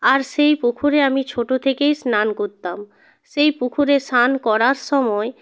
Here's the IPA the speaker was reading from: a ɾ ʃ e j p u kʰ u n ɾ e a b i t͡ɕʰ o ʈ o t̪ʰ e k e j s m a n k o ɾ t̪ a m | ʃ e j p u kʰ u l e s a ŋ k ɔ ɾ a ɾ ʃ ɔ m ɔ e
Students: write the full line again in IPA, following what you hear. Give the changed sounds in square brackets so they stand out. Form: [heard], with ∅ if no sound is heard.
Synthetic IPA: a ɾ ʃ e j p u kʰ u [∅] ɾ e a [m] i t͡ɕʰ o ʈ o t̪ʰ e k e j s [n] a n k o ɾ t̪ a m | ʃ e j p u kʰ u [ɾ] e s a [n] k ɔ ɾ a ɾ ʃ ɔ m ɔ e

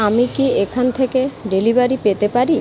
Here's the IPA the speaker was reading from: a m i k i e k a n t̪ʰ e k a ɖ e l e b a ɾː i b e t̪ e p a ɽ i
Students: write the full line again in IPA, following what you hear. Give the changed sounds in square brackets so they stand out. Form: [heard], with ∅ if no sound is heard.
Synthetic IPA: a m i k i e [kʰ] a n t̪ʰ e k [e] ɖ e l [i] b a [ɾ] i [p] e t̪ e p a [ɾ] i

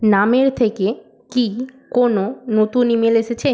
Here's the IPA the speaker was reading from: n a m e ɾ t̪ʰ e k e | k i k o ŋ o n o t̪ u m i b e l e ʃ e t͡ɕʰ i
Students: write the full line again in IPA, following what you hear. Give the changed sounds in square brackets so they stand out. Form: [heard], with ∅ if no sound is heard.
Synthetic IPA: n a m e ɾ t̪ʰ e k e | k i k o [n] o n o t̪ u [n] i [m] e l e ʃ e t͡ɕʰ [e]

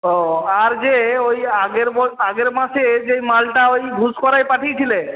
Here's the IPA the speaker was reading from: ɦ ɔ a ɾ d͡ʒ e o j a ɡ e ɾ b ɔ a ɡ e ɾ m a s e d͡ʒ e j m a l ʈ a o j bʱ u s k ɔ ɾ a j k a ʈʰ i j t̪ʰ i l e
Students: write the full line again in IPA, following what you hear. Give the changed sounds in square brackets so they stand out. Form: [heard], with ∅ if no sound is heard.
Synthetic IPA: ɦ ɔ a ɾ d͡ʒ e o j a ɡ e ɾ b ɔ a ɡ e ɾ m a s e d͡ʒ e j m a l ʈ a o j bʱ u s k ɔ ɾ a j [p] a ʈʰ i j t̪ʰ i l e

